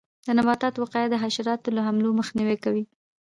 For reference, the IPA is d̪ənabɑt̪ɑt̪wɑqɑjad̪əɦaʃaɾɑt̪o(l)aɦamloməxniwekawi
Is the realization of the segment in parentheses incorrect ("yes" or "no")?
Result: no